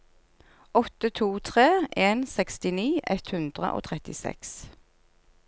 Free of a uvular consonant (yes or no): no